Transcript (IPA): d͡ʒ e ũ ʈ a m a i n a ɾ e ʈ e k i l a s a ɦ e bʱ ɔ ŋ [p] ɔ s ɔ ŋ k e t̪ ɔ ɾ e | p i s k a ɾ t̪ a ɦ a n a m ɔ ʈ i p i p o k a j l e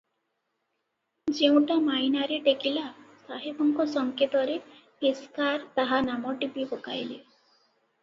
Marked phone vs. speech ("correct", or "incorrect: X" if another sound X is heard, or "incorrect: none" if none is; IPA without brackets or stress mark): incorrect: k